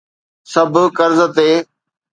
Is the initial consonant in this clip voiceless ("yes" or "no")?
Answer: yes